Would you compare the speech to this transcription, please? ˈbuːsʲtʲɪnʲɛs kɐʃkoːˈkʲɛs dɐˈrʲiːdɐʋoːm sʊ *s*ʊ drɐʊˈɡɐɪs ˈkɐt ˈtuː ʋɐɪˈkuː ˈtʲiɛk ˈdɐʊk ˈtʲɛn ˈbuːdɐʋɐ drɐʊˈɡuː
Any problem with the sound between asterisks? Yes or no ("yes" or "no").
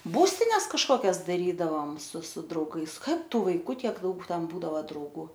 no